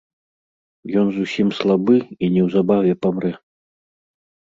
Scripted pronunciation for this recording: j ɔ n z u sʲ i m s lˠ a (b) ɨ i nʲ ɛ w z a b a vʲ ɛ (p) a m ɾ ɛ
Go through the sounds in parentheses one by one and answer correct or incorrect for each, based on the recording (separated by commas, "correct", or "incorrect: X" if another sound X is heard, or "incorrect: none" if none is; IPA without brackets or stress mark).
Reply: correct, correct